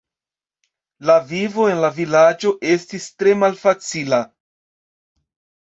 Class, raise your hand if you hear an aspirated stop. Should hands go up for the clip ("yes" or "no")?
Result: no